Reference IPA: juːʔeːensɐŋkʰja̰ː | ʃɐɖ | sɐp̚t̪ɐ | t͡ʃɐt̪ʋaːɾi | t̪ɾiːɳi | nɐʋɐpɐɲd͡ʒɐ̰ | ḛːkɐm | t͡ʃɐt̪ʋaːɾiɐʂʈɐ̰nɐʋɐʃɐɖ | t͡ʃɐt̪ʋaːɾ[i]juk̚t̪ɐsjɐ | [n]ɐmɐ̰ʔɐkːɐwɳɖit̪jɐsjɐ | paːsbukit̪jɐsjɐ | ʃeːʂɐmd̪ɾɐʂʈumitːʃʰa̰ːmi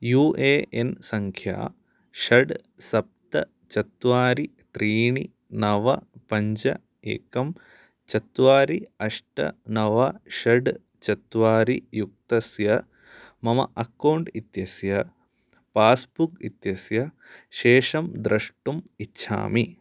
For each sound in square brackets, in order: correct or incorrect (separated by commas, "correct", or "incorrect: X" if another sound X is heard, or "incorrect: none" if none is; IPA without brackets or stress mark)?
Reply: correct, incorrect: m